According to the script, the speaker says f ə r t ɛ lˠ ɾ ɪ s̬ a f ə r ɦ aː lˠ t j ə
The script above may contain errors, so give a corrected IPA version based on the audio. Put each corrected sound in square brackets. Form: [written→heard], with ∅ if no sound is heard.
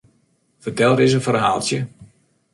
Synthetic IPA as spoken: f ə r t ɛ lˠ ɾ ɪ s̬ [a→ə] f ə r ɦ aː lˠ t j ə